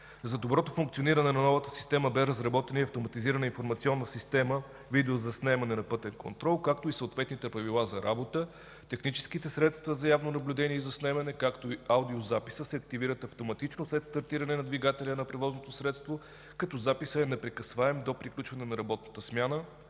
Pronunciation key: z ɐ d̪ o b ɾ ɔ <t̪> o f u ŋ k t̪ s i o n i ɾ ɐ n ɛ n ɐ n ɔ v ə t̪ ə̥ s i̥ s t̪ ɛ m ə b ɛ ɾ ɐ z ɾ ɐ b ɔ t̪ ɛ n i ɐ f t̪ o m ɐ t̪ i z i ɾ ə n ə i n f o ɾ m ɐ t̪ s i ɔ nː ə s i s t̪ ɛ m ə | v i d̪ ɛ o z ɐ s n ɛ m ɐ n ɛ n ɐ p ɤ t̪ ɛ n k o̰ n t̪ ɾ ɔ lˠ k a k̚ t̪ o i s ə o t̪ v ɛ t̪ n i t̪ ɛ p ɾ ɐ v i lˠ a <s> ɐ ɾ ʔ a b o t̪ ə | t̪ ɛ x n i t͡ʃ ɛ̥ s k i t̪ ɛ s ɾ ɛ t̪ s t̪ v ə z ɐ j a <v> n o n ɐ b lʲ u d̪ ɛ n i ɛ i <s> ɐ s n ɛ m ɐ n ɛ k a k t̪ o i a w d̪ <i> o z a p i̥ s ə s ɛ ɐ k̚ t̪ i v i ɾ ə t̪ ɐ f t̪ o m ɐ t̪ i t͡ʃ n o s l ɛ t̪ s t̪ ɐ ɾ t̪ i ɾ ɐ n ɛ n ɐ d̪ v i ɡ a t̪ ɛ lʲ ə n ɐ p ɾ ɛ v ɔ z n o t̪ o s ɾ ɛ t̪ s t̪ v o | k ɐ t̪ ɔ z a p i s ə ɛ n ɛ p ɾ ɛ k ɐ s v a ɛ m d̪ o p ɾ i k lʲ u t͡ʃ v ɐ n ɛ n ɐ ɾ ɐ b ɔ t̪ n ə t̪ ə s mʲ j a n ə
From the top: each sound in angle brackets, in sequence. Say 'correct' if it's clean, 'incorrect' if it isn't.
correct, incorrect: z, correct, incorrect: z, correct

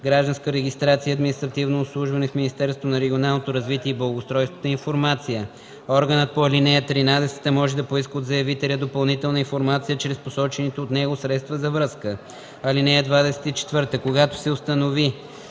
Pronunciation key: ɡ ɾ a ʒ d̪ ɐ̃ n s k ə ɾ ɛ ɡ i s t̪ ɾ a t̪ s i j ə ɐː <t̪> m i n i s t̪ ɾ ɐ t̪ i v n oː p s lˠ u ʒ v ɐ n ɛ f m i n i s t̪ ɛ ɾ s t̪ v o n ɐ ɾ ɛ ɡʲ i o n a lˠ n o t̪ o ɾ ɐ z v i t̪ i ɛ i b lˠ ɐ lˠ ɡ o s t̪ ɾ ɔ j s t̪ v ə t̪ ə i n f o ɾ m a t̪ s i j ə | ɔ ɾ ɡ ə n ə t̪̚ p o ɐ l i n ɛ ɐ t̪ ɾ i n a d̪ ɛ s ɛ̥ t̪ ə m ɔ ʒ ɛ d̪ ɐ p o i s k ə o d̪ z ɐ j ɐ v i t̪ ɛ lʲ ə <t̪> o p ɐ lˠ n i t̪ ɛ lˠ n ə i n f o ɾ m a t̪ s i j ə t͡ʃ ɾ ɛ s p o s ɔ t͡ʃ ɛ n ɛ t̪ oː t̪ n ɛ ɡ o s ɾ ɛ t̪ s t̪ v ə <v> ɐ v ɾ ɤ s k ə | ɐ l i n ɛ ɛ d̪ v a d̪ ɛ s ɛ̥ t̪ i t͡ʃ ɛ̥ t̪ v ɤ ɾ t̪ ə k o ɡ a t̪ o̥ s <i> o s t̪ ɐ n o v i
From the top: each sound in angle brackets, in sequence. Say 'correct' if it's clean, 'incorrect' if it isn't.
incorrect: d̪, incorrect: d̪, incorrect: z, incorrect: ɛ

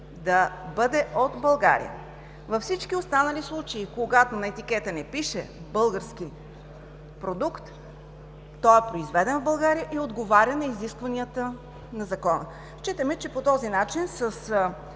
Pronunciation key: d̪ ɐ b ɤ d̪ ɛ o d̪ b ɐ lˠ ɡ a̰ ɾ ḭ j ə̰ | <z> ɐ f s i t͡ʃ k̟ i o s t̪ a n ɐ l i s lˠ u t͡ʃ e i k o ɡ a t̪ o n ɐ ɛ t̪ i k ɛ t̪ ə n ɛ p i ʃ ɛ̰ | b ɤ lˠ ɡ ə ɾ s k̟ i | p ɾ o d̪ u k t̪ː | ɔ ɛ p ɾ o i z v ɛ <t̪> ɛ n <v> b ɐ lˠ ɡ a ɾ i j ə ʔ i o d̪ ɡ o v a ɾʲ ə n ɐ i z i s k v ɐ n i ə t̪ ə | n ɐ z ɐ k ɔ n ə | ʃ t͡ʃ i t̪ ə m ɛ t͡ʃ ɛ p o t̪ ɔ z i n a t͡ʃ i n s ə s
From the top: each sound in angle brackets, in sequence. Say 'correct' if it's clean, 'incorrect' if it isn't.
incorrect: v, incorrect: d̪, correct

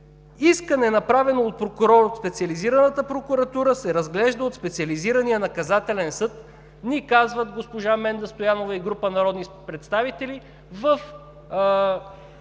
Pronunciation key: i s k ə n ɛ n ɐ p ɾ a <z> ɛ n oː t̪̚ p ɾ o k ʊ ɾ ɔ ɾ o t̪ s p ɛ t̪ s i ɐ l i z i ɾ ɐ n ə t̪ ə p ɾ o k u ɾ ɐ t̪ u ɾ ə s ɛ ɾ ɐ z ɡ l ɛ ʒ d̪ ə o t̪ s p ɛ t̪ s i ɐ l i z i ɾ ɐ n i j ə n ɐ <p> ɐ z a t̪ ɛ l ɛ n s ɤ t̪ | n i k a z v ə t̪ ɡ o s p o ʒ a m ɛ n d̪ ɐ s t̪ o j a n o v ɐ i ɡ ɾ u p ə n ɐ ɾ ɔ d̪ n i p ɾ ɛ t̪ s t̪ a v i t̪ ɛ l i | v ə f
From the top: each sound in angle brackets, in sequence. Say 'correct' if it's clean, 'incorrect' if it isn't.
incorrect: v, incorrect: k

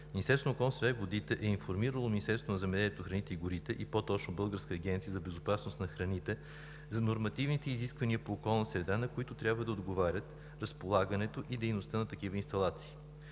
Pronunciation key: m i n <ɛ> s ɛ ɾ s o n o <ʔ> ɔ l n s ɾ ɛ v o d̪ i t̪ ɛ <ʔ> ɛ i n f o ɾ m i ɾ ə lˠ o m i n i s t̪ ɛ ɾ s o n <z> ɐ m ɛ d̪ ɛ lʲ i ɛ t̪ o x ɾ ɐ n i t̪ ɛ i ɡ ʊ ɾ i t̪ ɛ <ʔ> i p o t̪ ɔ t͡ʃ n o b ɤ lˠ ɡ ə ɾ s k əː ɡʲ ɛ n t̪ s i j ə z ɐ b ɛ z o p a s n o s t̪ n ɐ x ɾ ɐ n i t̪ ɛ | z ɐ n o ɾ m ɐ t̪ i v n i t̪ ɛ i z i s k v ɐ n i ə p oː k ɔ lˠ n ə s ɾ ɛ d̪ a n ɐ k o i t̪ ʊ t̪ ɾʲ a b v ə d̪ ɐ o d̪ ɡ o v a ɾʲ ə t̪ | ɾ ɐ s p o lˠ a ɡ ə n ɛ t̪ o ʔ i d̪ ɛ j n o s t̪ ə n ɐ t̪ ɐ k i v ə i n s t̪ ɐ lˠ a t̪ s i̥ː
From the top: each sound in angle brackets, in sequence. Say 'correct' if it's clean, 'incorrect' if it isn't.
incorrect: i, incorrect: k, correct, correct, correct

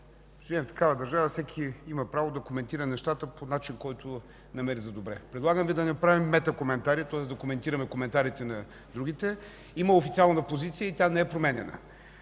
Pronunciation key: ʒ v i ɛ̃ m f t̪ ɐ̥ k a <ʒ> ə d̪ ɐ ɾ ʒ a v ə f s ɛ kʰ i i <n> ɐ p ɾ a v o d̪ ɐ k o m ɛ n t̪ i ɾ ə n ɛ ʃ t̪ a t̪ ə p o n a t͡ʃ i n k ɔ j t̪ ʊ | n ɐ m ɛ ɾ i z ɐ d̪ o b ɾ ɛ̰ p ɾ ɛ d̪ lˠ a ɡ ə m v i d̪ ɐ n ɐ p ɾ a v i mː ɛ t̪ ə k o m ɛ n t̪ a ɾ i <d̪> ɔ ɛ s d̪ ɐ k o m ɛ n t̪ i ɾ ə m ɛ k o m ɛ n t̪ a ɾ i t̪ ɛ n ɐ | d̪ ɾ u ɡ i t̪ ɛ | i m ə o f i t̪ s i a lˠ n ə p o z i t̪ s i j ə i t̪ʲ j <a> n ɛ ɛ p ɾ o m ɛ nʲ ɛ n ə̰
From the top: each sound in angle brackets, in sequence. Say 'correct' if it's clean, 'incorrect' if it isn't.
incorrect: v, incorrect: m, incorrect: t̪, correct

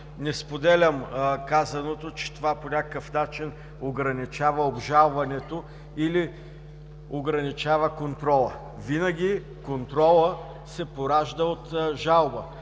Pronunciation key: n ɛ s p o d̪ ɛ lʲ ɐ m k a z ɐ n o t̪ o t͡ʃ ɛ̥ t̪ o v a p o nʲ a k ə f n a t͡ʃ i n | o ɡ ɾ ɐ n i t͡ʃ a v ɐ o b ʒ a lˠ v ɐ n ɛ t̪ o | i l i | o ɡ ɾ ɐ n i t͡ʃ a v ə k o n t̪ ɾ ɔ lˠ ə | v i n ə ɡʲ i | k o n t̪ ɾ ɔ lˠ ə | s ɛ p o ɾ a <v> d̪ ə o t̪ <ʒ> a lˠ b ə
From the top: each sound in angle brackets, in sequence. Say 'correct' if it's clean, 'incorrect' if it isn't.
incorrect: ʒ, correct

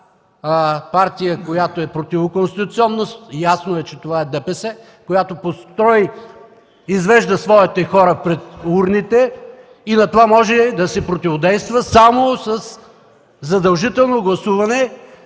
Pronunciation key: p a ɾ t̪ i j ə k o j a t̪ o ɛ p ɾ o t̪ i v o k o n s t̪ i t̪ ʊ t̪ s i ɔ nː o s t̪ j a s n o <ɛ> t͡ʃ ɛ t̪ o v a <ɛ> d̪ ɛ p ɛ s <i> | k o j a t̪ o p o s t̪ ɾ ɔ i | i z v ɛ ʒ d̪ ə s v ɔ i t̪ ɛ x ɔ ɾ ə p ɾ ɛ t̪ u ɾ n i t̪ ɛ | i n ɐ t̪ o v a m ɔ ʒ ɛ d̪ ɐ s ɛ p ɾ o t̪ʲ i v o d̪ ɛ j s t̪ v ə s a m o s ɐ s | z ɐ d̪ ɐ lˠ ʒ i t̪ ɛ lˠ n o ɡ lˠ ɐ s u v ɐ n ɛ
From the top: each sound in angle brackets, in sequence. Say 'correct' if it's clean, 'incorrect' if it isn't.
correct, correct, incorrect: ɛ

